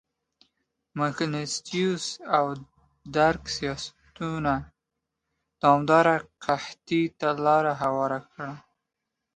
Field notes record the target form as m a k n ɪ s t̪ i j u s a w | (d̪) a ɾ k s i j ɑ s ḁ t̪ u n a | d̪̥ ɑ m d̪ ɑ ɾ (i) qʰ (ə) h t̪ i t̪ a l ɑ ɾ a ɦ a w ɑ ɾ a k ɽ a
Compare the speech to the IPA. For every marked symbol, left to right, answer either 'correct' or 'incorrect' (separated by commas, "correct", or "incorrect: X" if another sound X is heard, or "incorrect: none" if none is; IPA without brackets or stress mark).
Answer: correct, incorrect: a, incorrect: a